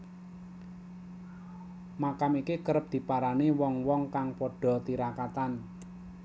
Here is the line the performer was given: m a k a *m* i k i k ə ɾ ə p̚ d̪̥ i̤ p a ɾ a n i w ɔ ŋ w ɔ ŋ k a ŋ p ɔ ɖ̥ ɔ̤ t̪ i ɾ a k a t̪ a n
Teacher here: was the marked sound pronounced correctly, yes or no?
yes